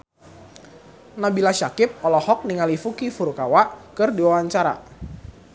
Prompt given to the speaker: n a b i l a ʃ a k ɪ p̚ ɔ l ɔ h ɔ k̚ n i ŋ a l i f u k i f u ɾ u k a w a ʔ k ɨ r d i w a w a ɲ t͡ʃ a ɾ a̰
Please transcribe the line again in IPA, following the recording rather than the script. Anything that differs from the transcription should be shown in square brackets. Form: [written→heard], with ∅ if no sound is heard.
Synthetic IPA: n a b i l a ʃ a k ɪ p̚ ɔ l ɔ h ɔ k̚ n i ŋ a l i f u k i f u ɾ u k a w a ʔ k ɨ r d i w a w a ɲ t͡ʃ a ɾ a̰

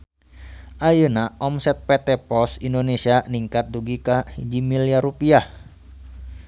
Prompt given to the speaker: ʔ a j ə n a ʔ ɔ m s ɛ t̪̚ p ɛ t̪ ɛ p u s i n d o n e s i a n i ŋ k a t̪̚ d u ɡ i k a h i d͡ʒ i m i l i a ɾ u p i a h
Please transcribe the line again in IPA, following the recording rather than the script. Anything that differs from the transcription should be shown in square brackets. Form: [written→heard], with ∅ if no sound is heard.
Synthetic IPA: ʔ a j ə n a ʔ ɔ m s ɛ t̪̚ p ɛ t̪ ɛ p [u→ɔ] s i n d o n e s i a n i ŋ k a t̪̚ d u ɡ i k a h i d͡ʒ i m i l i a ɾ u p i a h

